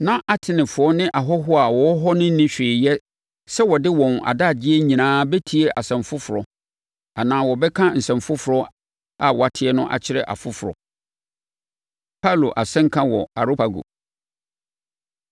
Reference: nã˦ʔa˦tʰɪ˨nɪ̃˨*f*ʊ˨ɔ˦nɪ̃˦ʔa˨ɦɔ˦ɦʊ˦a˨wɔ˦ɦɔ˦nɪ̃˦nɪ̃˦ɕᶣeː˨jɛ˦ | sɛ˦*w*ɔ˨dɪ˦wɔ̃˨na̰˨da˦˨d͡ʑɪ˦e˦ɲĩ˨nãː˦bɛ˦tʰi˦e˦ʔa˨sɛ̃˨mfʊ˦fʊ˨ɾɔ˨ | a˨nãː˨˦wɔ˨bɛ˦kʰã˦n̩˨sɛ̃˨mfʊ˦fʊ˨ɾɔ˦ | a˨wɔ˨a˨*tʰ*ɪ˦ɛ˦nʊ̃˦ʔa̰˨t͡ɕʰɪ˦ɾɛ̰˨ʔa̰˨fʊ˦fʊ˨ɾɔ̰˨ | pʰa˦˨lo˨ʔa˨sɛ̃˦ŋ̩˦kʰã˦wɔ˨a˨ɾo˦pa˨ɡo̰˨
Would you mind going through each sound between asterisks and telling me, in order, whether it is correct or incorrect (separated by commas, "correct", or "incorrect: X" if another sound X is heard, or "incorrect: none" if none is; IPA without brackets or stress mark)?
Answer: correct, correct, correct